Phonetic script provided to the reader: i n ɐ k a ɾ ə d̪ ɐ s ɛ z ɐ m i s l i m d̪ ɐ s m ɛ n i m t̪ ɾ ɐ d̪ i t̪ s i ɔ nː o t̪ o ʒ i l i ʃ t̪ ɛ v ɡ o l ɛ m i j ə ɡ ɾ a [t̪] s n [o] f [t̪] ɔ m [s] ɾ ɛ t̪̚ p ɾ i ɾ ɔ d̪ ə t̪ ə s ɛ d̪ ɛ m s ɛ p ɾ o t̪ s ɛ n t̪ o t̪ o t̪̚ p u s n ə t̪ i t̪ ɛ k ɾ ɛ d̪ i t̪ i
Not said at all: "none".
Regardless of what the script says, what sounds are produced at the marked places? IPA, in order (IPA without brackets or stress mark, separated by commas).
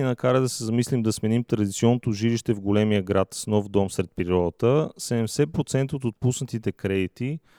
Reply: t̪, ɔ, d̪, s